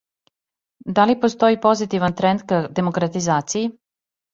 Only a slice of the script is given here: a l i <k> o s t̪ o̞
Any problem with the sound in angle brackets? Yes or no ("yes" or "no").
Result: yes